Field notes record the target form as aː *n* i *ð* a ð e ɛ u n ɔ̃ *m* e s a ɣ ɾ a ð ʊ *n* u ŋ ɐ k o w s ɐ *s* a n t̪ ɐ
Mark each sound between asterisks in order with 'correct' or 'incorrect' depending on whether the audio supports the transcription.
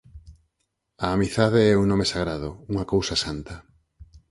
incorrect: m, incorrect: θ, correct, incorrect: none, correct

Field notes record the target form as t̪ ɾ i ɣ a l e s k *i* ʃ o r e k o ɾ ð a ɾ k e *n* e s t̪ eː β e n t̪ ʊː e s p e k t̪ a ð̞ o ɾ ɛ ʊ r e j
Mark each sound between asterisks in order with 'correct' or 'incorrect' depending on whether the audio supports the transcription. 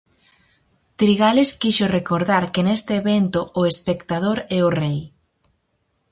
correct, correct

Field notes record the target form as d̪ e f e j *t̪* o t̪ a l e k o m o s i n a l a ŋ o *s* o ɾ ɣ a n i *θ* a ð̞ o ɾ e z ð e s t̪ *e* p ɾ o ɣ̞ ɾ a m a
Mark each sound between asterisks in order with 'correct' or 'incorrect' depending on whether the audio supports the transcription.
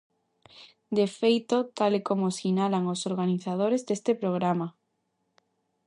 correct, correct, correct, correct

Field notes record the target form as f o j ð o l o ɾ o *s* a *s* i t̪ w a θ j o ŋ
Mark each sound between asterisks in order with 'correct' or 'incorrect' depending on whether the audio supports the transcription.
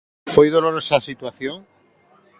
correct, correct

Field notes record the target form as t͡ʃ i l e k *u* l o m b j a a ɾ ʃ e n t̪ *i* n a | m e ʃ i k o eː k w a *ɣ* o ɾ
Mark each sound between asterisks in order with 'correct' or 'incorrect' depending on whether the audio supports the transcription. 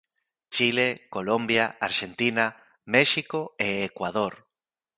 incorrect: o, correct, incorrect: ð

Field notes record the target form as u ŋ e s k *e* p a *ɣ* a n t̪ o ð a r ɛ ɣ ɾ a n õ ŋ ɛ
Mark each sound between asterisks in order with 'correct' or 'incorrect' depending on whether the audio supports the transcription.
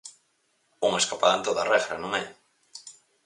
incorrect: a, incorrect: ð

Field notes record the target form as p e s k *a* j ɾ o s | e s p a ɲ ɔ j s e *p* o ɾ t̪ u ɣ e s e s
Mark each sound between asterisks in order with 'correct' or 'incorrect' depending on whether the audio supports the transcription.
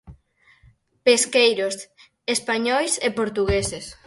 incorrect: e, correct

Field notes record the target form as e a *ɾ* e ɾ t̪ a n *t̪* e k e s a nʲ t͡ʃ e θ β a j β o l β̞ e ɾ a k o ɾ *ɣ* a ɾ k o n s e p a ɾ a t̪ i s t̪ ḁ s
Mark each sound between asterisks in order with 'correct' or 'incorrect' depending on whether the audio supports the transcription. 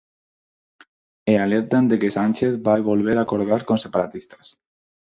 incorrect: l, incorrect: d̪, incorrect: ð

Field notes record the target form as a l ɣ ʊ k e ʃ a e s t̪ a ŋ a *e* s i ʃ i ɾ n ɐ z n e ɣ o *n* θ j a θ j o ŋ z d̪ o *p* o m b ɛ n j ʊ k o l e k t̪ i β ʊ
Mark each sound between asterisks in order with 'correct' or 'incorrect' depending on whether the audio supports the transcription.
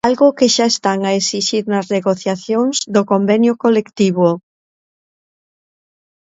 correct, incorrect: none, incorrect: k

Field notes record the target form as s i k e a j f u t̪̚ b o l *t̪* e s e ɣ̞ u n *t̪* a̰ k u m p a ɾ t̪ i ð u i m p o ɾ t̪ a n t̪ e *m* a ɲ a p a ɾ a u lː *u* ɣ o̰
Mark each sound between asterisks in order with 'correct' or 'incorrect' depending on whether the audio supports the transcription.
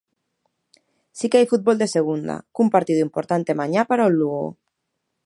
incorrect: d̪, incorrect: d̪, correct, correct

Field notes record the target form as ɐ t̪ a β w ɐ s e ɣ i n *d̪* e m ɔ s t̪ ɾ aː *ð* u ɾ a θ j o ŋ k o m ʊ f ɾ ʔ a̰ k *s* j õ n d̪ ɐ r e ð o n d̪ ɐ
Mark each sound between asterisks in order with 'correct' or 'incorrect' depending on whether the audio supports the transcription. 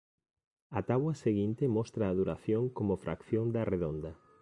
incorrect: t̪, correct, incorrect: θ

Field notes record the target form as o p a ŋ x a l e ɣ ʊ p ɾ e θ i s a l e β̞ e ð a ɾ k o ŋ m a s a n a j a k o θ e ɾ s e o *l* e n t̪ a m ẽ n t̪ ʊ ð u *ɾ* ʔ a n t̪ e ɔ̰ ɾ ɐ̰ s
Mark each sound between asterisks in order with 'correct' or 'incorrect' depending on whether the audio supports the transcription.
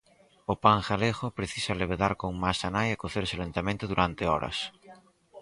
correct, correct

